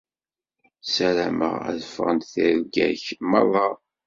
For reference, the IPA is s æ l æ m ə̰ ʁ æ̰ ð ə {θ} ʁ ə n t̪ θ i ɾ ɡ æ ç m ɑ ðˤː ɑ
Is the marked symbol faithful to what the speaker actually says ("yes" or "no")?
no